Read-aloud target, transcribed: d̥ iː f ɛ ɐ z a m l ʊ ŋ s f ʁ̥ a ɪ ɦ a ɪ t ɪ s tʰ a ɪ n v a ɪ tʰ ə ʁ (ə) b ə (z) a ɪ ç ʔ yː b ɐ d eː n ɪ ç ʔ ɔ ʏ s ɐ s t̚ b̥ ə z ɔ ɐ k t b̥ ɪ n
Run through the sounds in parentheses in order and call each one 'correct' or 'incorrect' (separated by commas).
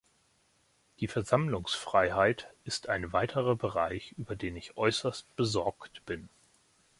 incorrect, incorrect